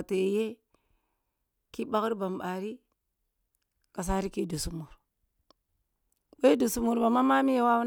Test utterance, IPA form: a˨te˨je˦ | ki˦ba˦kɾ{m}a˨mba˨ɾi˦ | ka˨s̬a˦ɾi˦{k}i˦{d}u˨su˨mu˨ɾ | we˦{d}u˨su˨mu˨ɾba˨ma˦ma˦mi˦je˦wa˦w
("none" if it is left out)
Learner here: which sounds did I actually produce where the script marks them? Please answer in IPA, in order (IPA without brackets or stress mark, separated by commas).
b, k, d, d